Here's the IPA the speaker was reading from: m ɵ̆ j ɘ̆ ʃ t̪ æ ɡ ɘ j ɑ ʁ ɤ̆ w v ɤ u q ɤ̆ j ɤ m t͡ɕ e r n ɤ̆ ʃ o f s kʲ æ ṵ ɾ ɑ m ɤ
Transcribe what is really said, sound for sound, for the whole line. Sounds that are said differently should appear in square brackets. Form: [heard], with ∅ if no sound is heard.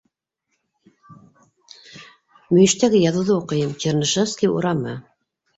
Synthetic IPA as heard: m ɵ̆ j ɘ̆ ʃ t̪ æ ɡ ɘ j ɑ [ð] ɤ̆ w [ð] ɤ u q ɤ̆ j ɤ m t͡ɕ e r n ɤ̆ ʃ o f s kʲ [i] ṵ ɾ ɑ m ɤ